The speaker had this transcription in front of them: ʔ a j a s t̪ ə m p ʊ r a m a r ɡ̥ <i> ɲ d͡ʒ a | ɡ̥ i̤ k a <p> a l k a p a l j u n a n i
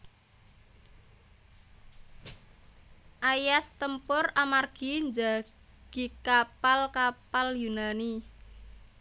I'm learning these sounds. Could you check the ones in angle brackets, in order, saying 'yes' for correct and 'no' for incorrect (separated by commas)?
yes, yes